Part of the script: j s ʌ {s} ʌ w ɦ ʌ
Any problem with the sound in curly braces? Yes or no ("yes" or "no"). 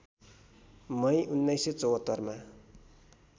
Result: yes